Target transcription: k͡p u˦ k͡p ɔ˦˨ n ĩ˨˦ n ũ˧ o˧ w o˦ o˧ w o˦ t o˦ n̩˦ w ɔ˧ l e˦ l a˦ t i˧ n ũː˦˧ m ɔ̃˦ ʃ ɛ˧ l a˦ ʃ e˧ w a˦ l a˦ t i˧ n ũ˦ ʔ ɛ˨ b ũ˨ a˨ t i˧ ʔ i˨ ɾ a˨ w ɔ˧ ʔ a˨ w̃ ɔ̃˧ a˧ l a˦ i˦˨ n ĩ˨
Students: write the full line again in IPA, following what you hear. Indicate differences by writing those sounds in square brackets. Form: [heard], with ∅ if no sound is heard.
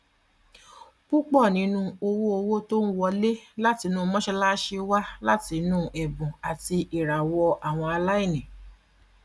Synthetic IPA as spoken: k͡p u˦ k͡p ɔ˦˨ n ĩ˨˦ n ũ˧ o˧ w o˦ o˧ w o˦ t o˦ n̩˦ w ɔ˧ l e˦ l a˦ t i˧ n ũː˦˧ m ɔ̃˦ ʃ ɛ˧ l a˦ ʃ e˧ w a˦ l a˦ t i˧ n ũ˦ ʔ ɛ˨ b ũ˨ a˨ t i˧ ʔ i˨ ɾ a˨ w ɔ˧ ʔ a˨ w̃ ɔ̃˧ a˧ l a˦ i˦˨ n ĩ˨